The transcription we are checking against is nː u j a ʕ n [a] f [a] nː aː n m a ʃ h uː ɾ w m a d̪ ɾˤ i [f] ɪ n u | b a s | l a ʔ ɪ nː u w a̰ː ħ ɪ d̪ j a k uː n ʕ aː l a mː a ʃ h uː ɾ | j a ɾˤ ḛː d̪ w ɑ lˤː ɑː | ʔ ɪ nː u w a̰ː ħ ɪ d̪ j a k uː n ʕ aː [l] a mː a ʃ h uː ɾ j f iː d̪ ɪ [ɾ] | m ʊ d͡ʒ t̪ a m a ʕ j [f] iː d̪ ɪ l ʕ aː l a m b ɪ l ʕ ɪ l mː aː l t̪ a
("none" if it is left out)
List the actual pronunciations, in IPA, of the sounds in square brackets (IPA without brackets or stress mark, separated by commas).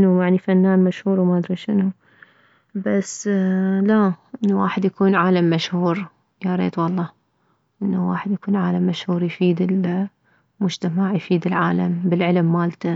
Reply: i, a, ʃ, l, l, f